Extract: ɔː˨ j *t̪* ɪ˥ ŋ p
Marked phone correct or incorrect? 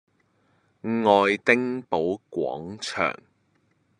correct